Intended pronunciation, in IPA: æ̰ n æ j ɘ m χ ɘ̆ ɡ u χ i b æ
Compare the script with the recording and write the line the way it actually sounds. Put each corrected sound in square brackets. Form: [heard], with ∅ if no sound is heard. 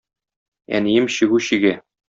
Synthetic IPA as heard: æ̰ n [i] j ɘ m [ɕ] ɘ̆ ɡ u [ɕ] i [ɡ] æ